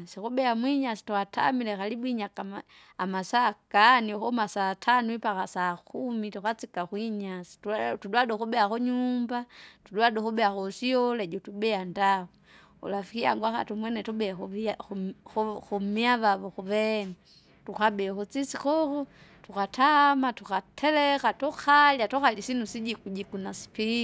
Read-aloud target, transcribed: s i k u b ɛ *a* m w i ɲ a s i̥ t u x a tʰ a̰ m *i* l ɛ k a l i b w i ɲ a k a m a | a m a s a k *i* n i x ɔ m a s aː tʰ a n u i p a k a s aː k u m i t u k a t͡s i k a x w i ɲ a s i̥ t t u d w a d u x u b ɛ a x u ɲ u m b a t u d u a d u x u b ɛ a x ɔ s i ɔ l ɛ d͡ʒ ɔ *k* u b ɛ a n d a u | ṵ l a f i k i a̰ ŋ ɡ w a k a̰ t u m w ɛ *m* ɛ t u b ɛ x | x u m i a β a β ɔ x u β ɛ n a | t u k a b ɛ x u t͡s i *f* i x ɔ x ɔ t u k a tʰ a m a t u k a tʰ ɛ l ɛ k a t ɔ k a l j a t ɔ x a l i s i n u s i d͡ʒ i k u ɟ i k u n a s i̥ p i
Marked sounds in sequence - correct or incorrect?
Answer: correct, correct, incorrect, incorrect, incorrect, incorrect

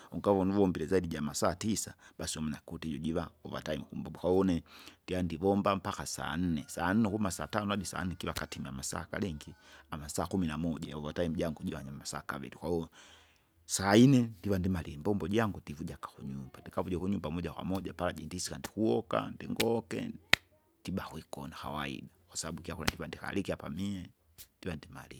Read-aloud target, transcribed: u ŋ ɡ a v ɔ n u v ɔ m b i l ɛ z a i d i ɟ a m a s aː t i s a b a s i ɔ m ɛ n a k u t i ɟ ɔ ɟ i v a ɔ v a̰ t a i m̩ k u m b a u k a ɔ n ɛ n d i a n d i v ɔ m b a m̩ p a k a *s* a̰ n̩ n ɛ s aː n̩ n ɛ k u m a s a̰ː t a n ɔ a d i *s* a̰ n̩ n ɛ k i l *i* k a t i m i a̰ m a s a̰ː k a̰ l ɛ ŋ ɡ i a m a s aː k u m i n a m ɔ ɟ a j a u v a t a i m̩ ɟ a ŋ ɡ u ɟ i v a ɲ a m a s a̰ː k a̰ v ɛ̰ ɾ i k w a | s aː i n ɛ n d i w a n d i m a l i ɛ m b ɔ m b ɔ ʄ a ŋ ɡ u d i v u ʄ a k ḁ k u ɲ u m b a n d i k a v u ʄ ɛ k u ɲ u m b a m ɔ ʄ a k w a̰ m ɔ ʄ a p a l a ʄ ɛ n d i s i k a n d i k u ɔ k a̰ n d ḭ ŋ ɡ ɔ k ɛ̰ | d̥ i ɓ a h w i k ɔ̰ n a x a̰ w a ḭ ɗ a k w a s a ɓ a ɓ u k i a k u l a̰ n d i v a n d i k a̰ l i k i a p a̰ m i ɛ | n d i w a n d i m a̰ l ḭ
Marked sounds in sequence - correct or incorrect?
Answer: correct, correct, incorrect

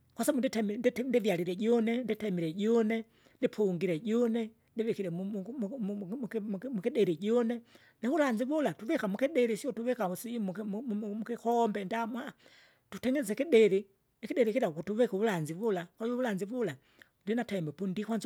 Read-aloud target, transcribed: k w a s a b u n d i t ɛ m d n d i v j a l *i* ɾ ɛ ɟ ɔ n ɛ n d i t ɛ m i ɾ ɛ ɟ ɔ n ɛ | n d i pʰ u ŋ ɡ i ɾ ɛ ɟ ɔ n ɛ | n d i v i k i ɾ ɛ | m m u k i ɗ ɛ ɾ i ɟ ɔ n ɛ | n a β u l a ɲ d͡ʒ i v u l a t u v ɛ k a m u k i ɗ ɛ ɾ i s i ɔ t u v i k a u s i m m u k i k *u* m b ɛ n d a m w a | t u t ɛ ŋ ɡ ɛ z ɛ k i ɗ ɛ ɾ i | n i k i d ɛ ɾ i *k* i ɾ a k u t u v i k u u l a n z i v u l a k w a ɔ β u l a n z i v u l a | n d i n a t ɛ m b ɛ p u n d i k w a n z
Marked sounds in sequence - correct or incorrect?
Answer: correct, incorrect, correct

